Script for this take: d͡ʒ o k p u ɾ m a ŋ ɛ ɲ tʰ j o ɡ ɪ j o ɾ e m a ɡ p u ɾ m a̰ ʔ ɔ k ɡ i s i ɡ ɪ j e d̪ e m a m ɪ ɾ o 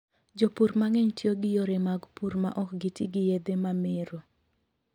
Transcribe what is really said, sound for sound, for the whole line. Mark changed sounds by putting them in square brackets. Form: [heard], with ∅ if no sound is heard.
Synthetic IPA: d͡ʒ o [∅] p u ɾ m a ŋ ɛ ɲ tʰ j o ɡ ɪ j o ɾ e m a ɡ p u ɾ m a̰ ʔ ɔ k ɡ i [t] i ɡ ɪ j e d̪ e m a m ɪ ɾ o